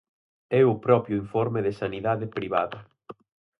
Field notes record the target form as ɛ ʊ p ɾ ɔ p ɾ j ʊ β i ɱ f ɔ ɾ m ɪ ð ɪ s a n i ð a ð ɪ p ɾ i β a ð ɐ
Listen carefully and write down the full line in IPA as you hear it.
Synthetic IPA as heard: ɛ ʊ p ɾ ɔ p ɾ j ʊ i ɱ f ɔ ɾ m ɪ ð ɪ s a n i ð a ð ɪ p ɾ i β a ð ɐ